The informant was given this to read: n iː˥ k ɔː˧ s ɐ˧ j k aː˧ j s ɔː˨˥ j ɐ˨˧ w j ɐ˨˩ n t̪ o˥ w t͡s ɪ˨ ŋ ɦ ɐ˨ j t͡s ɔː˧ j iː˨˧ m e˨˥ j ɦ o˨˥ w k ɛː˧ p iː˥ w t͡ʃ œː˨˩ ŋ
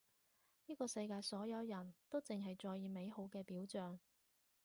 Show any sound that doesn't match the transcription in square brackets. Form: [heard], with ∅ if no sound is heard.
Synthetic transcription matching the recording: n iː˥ k ɔː˧ s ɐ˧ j k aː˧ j s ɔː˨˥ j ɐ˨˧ w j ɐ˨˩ n t̪ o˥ w t͡s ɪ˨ ŋ ɦ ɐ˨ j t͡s ɔː˧ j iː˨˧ m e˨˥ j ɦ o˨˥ w k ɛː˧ p [iː˨˥] w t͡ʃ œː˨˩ ŋ